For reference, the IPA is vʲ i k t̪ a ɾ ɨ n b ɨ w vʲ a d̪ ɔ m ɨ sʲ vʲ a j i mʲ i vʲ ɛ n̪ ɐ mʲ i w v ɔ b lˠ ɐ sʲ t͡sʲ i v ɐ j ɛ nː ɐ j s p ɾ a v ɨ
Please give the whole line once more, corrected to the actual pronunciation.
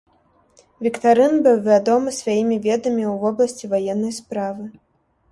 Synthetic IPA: vʲ i k t̪ a ɾ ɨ n b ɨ w vʲ a d̪ ɔ m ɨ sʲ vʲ a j i mʲ i vʲ ɛ d̪ ɐ mʲ i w v ɔ b lˠ ɐ sʲ t͡sʲ i v a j ɛ nː ɐ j s p ɾ a v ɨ

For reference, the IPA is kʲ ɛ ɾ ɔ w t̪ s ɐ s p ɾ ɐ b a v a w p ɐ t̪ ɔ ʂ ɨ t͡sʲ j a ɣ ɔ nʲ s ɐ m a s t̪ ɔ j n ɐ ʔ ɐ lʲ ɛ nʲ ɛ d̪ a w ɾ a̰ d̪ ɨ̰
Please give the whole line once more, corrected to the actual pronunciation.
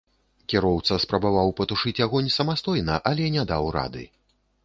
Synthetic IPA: kʲ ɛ ɾ ɔ w t̪ s ɐ s p ɾ ɐ b a v a w p ɐ t̪ u ʂ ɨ t͡sʲ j a ɣ ɔ nʲ s ɐ m a s t̪ ɔ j n ɐ ʔ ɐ lʲ ɛ nʲ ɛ d̪ a w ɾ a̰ d̪ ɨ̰

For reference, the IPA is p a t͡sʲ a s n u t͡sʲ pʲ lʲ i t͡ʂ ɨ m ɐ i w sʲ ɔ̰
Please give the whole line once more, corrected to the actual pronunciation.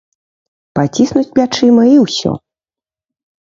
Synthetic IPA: p a t͡sʲ i s n u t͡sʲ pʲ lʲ a t͡ʂ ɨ m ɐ i w sʲ ɔ̰

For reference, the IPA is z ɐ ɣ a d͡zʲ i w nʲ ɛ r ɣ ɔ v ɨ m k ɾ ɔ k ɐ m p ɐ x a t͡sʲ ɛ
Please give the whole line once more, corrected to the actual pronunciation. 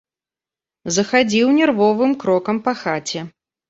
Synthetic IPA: z ɐ x a d͡zʲ i w nʲ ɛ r v ɔ v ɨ m k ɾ ɔ k ɐ m p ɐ x a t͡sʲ ɛ

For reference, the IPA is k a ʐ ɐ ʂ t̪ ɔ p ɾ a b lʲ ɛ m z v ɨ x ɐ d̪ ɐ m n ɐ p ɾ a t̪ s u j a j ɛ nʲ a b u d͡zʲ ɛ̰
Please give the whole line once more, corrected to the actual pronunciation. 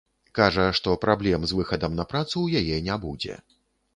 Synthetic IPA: k a ʐ ɐ ʂ t̪ ɔ p ɾ a b lʲ ɛ m z v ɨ x ɐ d̪ ɐ m n ɐ p ɾ a t̪ s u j a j ɛ nʲ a b u d͡zʲ ɛ̰

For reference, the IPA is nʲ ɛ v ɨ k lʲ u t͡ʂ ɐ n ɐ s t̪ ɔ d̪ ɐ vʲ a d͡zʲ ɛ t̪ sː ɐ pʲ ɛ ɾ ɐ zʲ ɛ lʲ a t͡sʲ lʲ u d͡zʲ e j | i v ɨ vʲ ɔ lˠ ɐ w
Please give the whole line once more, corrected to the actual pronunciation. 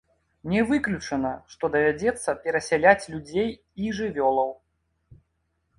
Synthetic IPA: nʲ ɛ v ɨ k lʲ u t͡ʂ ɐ n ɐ ʂ t̪ ɔ d̪ ɐ vʲ a d͡zʲ ɛ t̪ sː ɐ pʲ ɛ ɾ ɐ sʲ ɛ lʲ a t͡sʲ lʲ u d͡zʲ e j | i ʐ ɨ vʲ ɔ lˠ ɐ w

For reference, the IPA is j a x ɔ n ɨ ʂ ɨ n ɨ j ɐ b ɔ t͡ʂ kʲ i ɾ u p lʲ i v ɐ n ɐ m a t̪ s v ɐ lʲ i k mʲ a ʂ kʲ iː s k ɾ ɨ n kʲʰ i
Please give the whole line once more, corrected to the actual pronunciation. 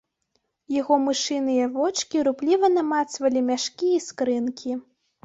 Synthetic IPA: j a ɣ ɔ m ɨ ʂ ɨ n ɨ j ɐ v ɔ t͡ʂ kʲ i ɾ u p lʲ i v ɐ n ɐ m a t̪ s v ɐ lʲ i mʲ a ʂ kʲ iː s k ɾ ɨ n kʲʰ i

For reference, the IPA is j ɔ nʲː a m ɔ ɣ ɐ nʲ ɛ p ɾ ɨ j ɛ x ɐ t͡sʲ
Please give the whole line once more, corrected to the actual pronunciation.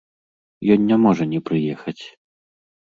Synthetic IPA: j ɔ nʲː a m ɔ ʐ ɐ nʲ ɛ p ɾ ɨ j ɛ x ɐ t͡sʲ

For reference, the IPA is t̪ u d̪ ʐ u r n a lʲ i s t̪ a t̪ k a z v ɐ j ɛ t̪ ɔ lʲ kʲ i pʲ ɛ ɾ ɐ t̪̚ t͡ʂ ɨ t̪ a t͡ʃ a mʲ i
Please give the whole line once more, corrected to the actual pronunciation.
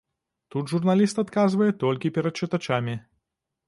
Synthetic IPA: t̪ u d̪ ʐ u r n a lʲ i s t̪ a t̪ k a z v ɐ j ɛ t̪ ɔ lʲ kʲ i pʲ ɛ ɾ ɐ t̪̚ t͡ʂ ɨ t̪ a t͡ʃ a mʲ i

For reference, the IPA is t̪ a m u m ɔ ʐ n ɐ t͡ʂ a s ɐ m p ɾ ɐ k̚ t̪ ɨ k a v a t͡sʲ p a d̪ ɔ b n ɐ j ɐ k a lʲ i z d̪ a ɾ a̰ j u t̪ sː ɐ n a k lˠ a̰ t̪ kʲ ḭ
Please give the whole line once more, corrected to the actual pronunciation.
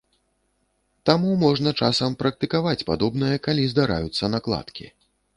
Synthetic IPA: t̪ a m u m ɔ ʐ n ɐ t͡ʂ a s ɐ m p ɾ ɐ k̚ t̪ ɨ k a v a t͡sʲ p a d̪ ɔ b n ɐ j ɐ k a lʲ i z d̪ a ɾ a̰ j u t̪ sː ɐ n a k lˠ a̰ t̪ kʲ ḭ

